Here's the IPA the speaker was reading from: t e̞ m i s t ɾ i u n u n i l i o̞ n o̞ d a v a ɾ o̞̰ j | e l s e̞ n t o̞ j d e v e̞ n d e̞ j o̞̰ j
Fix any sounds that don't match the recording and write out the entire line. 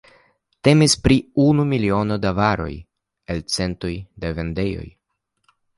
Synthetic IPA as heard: t e̞ m i s p ɾ i u n u m i l i o̞ n o̞ d a v a ɾ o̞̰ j | e l t͡s e̞ n t o̞ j d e v e̞ n d e̞ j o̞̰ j